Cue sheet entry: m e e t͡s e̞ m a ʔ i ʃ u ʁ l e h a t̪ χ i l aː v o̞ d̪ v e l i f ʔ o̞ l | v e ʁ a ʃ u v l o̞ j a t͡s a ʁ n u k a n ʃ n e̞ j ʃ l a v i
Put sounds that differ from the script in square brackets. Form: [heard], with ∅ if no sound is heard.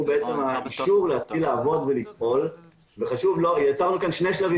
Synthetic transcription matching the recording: [b] e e t͡s e̞ m a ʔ i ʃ u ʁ l e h a t̪ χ i l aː v o̞ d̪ v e l i f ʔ o̞ l | v e [χ] a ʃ u v l o̞ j a t͡s a ʁ n u k a n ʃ n e̞ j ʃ l a v i